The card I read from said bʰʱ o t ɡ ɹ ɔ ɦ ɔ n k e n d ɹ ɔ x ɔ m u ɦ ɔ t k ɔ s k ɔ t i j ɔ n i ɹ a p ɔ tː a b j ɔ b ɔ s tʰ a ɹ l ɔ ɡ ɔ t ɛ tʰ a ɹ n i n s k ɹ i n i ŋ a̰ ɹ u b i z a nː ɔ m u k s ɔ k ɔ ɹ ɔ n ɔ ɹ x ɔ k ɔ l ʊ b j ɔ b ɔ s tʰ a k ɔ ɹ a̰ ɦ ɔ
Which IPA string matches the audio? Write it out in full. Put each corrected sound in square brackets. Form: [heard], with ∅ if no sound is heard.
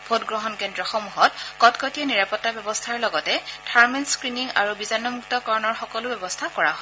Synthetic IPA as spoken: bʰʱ o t ɡ ɹ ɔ ɦ ɔ n k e n d ɹ ɔ x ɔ m u ɦ ɔ t k ɔ [t] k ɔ t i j ɔ n i ɹ a p ɔ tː a b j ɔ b ɔ s tʰ a ɹ l ɔ ɡ ɔ t ɛ tʰ a ɹ [m] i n s k ɹ i n i ŋ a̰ ɹ u b i z a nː ɔ m u k [t] ɔ k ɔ ɹ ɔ n ɔ ɹ x ɔ k ɔ l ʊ b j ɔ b ɔ s tʰ a k ɔ ɹ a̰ ɦ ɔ